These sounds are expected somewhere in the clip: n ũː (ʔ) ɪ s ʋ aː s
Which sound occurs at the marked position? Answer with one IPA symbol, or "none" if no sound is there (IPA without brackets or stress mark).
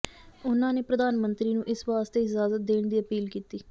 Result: ʔ